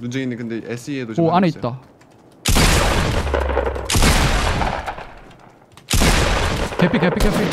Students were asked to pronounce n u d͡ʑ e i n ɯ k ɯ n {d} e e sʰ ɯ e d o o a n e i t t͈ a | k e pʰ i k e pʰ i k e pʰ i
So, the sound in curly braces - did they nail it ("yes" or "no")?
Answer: yes